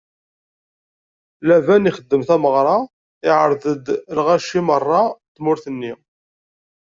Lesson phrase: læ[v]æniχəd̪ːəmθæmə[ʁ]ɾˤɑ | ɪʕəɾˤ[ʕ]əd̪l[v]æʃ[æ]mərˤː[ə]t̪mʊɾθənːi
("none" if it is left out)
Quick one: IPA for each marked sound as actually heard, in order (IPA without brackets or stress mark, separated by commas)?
v, ʁ, ð, ʁ, i, ɑ